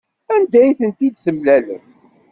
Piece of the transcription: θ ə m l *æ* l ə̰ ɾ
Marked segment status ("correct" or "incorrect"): correct